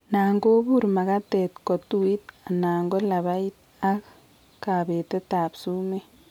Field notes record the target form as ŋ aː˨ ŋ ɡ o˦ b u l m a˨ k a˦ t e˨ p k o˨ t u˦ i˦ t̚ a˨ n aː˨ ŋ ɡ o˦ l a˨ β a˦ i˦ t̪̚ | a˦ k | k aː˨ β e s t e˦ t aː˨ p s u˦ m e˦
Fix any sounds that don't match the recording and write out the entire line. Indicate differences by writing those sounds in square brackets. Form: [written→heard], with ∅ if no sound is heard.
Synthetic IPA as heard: [ŋ→n] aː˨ ŋ ɡ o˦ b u [l→ɾ] m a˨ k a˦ t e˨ [p→t] k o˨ t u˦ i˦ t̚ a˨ n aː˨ ŋ ɡ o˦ l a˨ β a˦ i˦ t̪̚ | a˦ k | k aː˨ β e [s→∅] t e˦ t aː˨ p s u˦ m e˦